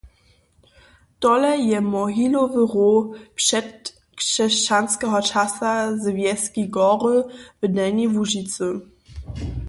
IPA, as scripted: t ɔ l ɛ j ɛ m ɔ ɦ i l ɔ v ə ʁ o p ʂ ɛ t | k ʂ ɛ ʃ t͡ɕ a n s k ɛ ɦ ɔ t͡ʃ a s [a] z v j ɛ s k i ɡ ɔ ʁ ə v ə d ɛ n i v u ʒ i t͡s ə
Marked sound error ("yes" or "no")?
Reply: no